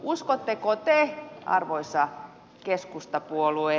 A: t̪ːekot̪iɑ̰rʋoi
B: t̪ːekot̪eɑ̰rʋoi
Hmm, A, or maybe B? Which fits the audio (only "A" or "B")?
B